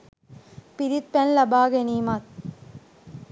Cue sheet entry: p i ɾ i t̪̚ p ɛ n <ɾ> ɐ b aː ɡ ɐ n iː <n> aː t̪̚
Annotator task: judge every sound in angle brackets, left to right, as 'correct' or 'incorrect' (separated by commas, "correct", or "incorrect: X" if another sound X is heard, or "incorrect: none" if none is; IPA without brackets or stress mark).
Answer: incorrect: l, incorrect: m